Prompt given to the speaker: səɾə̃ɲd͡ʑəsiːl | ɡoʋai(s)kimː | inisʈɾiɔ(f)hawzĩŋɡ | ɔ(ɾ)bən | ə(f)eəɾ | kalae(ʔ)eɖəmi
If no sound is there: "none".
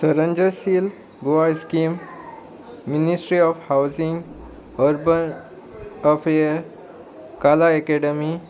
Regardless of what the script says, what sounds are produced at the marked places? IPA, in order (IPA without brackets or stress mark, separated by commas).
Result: s, f, ɾ, f, k